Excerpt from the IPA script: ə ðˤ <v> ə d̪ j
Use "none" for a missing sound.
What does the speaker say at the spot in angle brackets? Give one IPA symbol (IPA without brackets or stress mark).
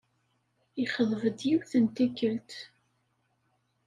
v